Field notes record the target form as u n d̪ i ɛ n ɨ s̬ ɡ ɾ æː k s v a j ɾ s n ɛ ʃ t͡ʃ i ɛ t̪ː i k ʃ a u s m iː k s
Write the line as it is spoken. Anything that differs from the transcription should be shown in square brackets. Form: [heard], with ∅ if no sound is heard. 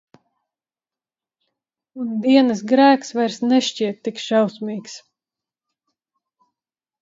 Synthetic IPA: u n d̪ i ɛ n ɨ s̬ ɡ ɾ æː k s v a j ɾ s n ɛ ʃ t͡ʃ i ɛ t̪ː i k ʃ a [w] s m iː k s